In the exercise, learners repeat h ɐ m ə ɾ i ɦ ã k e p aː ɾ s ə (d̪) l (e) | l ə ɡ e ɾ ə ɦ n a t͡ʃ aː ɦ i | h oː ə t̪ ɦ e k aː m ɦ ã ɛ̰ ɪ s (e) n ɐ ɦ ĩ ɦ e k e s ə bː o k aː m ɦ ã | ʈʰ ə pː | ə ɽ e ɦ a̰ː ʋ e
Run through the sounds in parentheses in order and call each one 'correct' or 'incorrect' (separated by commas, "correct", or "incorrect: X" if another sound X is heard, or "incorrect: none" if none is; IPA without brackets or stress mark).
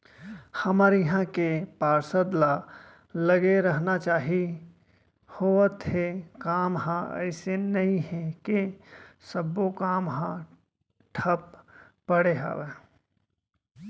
correct, incorrect: a, correct